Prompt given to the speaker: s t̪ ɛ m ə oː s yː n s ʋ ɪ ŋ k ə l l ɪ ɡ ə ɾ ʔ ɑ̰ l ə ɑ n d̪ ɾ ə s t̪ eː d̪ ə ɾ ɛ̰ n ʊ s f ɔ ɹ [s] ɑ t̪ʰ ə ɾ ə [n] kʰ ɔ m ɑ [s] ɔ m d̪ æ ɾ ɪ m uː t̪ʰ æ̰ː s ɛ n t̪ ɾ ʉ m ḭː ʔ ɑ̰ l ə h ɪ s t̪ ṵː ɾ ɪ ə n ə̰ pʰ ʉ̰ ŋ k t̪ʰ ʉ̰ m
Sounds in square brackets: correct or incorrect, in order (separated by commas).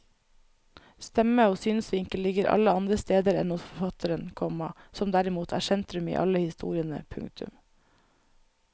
incorrect, correct, correct